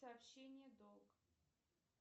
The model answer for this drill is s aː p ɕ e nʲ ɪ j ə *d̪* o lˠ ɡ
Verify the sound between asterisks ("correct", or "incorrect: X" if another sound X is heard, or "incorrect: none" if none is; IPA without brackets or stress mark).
correct